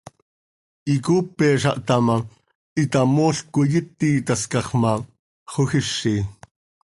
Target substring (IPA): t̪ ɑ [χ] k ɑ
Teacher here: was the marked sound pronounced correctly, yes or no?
no